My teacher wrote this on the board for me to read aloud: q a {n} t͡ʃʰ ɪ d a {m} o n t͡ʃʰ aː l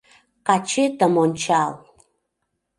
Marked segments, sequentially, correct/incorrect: incorrect: none, correct

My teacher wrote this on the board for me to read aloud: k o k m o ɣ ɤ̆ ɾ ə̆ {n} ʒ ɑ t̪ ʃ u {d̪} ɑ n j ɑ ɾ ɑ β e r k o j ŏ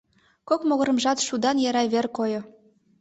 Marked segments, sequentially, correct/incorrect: incorrect: m, correct

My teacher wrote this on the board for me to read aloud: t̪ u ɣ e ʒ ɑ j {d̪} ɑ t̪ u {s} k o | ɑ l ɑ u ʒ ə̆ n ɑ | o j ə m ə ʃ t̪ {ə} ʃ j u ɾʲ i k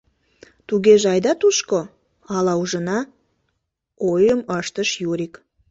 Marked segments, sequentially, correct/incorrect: correct, incorrect: ʃ, correct

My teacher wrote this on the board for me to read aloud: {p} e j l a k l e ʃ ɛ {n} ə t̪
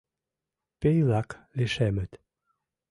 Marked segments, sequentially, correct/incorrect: correct, incorrect: m

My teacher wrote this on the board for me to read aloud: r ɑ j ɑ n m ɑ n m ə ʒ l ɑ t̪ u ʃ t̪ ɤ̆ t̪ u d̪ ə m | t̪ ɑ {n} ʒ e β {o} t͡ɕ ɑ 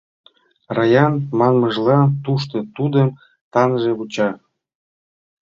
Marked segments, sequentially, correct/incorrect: correct, incorrect: u

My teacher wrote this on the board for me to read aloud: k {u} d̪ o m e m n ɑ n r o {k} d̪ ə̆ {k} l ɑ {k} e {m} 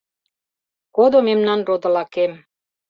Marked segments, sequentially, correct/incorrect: incorrect: o, incorrect: none, incorrect: none, correct, correct

